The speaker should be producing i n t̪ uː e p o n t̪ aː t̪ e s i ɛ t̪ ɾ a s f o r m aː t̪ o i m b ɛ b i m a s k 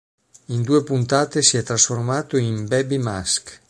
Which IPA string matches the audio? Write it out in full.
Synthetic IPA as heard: i n d̪ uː e p u n t̪ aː t̪ e s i ɛ t̪ ɾ a s f o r m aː t̪ o i m b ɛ b i m a s k